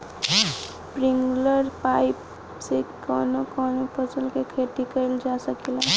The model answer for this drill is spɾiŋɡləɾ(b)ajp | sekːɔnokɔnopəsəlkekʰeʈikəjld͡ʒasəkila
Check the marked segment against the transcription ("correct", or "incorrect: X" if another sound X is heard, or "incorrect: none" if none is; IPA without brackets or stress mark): incorrect: p